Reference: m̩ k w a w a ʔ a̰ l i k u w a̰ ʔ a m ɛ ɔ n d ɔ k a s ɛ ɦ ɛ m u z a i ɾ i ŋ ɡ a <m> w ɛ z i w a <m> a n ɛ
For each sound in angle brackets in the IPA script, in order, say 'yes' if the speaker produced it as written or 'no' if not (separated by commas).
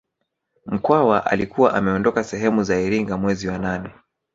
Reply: yes, no